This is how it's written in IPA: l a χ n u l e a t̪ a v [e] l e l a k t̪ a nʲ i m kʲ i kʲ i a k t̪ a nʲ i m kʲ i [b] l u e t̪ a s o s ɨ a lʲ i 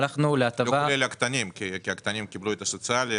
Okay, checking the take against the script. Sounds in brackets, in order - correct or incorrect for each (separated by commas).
incorrect, correct